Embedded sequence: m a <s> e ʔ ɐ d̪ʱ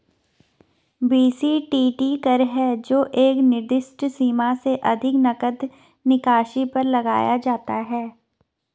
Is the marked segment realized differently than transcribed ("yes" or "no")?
no